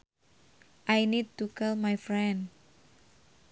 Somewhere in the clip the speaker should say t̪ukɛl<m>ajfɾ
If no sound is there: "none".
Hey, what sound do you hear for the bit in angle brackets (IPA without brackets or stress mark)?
m